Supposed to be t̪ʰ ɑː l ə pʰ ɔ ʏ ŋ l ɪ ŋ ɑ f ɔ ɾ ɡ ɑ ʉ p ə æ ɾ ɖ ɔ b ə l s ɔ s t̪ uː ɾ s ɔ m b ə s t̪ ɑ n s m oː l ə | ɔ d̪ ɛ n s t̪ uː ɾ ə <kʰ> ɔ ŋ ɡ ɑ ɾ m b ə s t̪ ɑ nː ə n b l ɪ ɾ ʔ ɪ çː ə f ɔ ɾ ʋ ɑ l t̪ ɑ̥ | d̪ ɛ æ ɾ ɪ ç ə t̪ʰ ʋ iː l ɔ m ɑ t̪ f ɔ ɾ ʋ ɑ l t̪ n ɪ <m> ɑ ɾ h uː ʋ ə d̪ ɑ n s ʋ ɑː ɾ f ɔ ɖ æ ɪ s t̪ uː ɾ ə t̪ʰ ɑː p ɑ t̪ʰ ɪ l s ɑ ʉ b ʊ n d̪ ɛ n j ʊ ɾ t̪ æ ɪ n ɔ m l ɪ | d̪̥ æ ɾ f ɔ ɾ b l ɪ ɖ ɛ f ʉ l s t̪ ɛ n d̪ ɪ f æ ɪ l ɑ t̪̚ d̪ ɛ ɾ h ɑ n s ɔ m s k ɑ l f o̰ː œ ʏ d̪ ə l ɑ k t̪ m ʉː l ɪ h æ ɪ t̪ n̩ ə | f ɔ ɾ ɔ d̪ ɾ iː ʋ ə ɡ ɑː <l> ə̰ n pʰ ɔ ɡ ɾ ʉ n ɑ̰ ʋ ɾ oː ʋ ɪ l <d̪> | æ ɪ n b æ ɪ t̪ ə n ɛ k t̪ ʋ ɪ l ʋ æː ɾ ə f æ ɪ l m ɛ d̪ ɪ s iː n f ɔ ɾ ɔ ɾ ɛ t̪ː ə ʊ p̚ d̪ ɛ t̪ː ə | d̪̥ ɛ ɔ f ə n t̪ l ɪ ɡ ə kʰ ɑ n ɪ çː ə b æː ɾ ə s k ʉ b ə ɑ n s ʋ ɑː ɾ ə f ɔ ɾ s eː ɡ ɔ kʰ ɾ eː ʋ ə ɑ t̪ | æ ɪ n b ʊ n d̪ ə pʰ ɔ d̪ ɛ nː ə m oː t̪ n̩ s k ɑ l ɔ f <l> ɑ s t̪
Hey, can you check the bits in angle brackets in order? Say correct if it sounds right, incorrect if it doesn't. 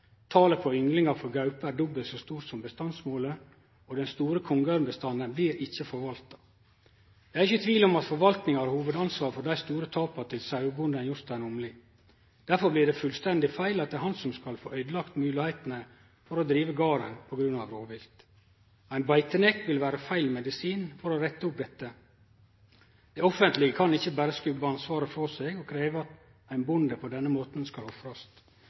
correct, incorrect: ŋ, incorrect: ɾ, incorrect: t̪, incorrect: ɾ

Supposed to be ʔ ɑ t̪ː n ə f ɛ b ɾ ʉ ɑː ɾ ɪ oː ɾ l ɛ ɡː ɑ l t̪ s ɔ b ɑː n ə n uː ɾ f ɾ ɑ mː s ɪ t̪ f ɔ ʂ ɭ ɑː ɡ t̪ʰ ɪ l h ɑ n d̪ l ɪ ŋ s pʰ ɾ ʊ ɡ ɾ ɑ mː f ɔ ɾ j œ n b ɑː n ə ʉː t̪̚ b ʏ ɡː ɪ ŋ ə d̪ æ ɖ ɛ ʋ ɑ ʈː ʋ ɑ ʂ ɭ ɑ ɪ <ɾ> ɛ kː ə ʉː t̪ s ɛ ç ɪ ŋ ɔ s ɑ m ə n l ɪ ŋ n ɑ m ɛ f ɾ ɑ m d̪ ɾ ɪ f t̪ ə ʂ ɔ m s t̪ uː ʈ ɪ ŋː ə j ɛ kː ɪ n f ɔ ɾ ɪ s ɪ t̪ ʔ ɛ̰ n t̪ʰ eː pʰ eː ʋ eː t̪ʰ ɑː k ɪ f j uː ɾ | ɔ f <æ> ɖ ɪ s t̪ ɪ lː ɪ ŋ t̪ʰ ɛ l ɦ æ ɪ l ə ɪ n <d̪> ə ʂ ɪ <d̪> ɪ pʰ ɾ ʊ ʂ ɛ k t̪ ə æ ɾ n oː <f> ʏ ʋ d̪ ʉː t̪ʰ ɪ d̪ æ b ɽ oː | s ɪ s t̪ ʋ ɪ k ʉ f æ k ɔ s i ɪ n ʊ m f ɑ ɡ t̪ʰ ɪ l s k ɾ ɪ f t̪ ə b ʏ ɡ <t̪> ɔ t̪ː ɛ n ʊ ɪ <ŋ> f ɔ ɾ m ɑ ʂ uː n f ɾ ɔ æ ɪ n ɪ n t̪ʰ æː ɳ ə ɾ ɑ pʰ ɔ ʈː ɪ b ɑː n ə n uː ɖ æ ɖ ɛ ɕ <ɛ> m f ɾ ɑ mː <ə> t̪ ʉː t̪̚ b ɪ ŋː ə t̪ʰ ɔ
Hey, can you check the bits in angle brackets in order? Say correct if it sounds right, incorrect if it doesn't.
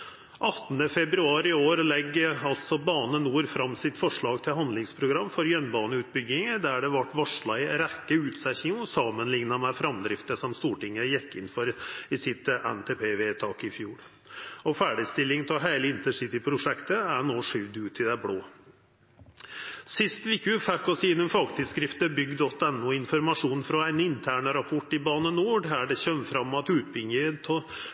correct, incorrect: æː, incorrect: t̪, incorrect: t̪, incorrect: ʂ, incorrect: d̪, incorrect: n, incorrect: œ, incorrect: ɑ

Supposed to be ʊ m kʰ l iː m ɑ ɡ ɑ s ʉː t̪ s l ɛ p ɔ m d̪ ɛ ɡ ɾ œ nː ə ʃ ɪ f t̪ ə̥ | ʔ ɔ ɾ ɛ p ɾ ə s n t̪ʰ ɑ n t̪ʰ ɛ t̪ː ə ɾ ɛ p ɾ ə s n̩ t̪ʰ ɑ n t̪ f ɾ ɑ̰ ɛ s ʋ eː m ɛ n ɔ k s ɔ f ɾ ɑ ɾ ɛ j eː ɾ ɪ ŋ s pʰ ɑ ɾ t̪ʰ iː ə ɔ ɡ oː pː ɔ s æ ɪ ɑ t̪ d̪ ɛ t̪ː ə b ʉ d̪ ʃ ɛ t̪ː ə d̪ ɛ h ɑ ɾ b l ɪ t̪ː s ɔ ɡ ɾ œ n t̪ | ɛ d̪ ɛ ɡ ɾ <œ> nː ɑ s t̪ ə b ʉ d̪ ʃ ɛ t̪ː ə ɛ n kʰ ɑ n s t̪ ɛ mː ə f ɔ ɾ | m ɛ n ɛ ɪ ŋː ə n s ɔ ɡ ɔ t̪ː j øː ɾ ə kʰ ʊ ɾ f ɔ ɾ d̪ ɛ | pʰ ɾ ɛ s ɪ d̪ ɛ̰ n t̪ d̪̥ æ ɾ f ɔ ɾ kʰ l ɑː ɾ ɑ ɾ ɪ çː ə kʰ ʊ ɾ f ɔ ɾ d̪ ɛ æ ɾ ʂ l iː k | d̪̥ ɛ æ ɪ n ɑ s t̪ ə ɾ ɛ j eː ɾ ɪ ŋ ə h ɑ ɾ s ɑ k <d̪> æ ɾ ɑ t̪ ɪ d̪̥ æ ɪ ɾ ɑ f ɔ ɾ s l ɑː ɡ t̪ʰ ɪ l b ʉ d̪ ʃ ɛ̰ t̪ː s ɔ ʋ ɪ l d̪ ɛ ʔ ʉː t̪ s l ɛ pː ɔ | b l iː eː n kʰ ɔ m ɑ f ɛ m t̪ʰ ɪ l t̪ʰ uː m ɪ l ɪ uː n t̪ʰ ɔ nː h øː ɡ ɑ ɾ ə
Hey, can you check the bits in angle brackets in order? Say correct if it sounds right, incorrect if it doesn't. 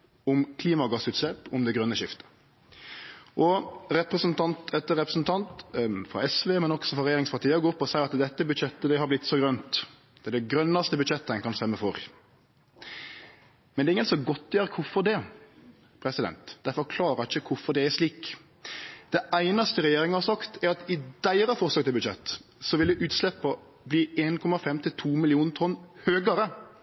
correct, incorrect: t̪

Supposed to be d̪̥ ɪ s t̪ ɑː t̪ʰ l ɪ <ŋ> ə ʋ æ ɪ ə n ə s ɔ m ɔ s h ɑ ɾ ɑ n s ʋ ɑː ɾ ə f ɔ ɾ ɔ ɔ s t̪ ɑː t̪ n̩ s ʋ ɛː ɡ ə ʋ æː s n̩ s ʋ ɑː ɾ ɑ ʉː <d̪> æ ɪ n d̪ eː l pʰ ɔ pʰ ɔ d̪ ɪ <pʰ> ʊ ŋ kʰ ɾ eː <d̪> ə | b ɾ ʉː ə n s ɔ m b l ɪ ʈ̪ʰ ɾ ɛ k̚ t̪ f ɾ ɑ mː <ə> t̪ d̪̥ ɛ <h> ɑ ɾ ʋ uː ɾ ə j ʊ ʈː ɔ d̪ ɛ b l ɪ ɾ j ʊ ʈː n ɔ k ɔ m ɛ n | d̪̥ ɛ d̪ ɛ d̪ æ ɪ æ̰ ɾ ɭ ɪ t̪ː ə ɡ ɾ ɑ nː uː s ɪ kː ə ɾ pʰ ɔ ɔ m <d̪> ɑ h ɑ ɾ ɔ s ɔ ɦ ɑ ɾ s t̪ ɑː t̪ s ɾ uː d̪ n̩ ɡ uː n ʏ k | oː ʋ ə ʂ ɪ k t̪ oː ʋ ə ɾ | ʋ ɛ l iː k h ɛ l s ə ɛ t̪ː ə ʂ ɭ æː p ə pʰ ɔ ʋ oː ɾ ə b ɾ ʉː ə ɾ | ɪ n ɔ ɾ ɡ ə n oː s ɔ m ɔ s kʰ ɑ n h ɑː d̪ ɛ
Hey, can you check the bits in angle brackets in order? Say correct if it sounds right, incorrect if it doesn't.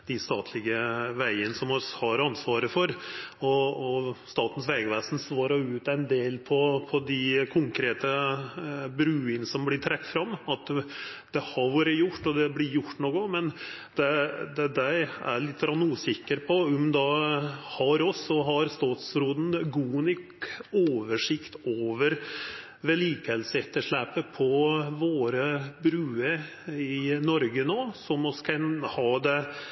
incorrect: ɡ, incorrect: t̪, incorrect: kʰ, incorrect: t̪, incorrect: ɑ, correct, correct

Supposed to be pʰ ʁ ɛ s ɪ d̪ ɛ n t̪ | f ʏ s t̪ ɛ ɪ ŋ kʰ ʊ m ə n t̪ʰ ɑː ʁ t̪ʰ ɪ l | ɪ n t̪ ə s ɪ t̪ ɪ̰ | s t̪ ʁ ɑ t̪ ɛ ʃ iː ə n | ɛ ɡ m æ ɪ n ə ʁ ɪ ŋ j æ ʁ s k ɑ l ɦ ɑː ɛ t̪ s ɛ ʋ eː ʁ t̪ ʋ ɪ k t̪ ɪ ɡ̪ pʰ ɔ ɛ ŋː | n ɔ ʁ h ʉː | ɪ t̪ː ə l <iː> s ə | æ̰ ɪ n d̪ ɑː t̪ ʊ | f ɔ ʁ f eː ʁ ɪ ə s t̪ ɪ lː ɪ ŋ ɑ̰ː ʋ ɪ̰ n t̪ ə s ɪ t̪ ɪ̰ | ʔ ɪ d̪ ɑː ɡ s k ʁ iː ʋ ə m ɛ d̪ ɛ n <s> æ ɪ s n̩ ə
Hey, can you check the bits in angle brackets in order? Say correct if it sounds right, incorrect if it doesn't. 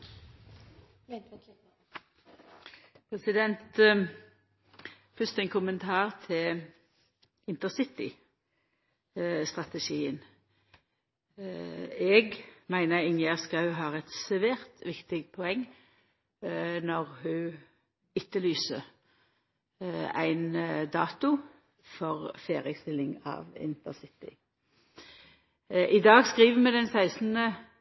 incorrect: yː, correct

